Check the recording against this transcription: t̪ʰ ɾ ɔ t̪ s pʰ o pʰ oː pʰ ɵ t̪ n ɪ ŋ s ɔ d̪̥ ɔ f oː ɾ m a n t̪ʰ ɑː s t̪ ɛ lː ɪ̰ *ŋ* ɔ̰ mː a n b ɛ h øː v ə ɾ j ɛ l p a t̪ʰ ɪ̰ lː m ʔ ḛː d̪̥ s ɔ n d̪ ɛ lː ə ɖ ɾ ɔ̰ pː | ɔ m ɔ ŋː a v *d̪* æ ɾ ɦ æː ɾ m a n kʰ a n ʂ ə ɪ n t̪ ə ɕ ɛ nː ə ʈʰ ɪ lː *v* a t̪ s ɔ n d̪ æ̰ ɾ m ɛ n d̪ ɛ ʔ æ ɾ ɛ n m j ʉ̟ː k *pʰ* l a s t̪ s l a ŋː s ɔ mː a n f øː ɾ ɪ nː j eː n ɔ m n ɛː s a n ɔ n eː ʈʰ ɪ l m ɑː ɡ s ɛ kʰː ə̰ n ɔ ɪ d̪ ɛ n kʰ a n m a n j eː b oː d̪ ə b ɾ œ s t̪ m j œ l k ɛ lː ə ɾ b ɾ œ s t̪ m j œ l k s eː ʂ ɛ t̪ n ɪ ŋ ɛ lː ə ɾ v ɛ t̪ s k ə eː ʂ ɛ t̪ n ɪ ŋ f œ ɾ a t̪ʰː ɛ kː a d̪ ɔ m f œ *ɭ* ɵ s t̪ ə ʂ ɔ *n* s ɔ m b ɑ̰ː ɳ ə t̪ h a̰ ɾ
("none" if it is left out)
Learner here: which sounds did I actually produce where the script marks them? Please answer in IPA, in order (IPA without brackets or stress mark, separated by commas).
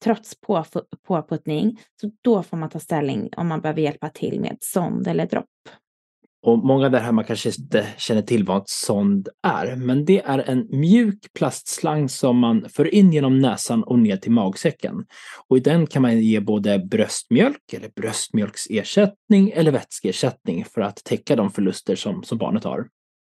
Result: ŋ, d̪, v, pʰ, ɭ, m